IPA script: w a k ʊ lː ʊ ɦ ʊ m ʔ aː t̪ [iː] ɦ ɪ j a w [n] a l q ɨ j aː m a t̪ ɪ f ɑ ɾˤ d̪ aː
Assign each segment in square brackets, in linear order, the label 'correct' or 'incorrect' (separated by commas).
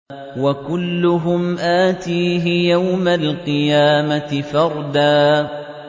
correct, incorrect